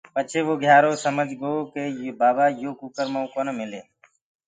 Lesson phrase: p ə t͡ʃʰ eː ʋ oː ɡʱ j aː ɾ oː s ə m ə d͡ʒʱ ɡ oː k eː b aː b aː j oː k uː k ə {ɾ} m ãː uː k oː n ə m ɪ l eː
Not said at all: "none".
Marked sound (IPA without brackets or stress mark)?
ɾ